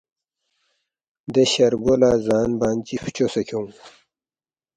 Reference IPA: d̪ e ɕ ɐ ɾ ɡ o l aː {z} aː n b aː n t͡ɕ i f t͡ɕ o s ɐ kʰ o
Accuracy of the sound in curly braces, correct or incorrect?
correct